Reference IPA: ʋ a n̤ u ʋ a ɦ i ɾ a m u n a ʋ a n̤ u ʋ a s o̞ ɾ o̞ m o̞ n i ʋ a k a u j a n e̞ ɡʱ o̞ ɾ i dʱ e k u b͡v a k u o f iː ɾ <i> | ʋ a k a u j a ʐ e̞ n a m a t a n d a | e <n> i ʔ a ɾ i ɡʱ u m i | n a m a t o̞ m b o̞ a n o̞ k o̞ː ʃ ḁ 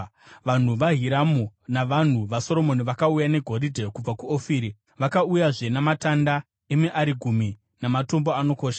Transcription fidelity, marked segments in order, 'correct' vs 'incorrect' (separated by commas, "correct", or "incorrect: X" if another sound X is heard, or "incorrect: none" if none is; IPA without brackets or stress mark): correct, incorrect: m